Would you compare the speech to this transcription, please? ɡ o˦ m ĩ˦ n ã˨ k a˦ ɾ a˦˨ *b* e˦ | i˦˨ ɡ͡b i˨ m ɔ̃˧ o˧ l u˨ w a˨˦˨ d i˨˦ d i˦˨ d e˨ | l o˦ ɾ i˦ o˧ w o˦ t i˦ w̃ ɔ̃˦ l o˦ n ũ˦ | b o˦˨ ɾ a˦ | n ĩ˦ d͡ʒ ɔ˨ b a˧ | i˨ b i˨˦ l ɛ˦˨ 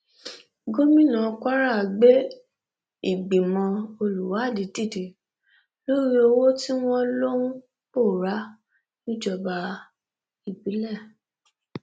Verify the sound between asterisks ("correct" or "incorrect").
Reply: incorrect